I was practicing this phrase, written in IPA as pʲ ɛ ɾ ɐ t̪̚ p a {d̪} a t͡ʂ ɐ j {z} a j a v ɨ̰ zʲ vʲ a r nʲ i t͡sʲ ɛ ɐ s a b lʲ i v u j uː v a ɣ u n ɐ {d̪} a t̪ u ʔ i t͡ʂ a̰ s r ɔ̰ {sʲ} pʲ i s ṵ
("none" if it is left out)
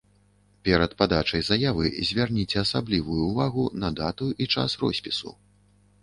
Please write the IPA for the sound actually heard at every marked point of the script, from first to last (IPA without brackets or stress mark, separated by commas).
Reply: d̪, z, d̪, sʲ